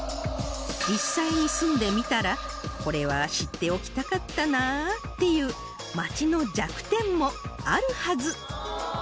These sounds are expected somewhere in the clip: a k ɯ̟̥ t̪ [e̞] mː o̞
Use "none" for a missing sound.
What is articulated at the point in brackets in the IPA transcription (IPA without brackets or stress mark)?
ẽ̞